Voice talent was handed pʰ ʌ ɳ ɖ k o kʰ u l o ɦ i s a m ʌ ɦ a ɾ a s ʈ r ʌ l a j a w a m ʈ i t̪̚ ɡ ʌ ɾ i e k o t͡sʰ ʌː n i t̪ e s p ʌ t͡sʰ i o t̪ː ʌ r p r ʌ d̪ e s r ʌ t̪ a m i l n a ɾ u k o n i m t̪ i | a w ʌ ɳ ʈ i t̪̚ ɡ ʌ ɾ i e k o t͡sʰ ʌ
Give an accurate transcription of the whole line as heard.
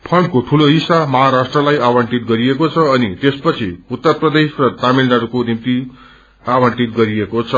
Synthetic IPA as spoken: pʰ ʌ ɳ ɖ k o ʈʰ u l o ɦ i s a m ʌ ɦ a ɾ a s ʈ r ʌ l a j a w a ɳ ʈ i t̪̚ ɡ ʌ ɾ i e k o t͡sʰ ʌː n i t̪ e s p ʌ t͡sʰ i u t̪ː ʌ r p r ʌ d̪ e s r ʌ t̪ a m i l n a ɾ u k o n i m t̪ i | a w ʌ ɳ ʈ i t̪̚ ɡ ʌ ɾ i e k o t͡sʰ ʌ